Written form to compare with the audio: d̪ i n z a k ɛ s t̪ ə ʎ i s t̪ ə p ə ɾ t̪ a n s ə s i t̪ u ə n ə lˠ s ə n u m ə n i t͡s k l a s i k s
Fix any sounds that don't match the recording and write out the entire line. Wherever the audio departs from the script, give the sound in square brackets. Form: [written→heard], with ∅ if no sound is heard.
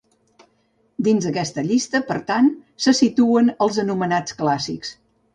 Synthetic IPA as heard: d̪ i n z [a→ə] k ɛ s t̪ ə ʎ i s t̪ ə p ə ɾ t̪ a n s ə s i t̪ u ə n ə lˠ [s→z] ə n u m ə n [i→a] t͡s k l a s i k s